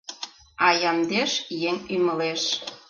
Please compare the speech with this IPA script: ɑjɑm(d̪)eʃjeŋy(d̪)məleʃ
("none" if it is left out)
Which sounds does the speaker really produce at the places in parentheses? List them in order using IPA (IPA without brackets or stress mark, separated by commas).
d̪, none